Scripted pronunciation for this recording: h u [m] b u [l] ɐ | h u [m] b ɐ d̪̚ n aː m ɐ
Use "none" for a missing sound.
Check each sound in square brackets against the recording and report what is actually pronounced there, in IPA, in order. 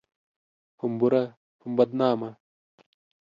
m, ɾ, m

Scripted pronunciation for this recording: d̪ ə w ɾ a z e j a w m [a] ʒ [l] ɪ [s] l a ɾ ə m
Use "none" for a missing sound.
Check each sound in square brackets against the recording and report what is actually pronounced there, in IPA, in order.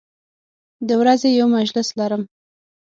a, l, s

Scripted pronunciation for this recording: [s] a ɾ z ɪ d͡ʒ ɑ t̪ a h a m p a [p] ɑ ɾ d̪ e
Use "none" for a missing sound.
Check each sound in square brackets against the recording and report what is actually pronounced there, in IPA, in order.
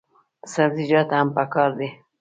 s, k

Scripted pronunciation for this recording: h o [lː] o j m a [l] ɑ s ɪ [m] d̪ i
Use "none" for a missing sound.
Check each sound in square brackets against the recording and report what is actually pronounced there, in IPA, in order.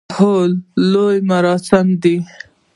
lː, ɾ, m

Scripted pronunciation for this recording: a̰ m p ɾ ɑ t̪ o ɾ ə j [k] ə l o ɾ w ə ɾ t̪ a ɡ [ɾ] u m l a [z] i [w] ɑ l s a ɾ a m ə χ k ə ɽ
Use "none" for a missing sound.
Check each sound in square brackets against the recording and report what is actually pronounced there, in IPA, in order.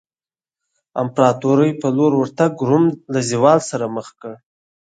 p, ɾ, z, w

